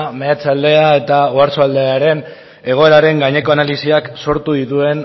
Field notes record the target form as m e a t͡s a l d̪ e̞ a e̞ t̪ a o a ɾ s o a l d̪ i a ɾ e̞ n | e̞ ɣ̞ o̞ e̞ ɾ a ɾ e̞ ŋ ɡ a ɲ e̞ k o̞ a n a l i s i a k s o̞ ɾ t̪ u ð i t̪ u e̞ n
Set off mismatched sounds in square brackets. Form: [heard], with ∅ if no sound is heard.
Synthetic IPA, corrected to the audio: m e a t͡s a l d̪ e̞ a e̞ t̪ a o a ɾ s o a l d̪ [e] a ɾ e̞ n | e̞ ɣ̞ o̞ e̞ ɾ a ɾ e̞ ŋ ɡ a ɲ e̞ k o̞ a n a l i s i a k s o̞ ɾ t̪ u ð i t̪ u e̞ n